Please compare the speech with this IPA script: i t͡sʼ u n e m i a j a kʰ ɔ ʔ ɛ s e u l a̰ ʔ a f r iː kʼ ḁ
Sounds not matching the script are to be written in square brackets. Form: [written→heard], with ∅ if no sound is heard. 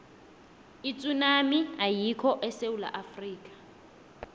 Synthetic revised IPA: i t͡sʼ u n [e→a] m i a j [a→i] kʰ ɔ ʔ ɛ s e u l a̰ ʔ a f r iː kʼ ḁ